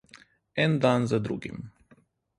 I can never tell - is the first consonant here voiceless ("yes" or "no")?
no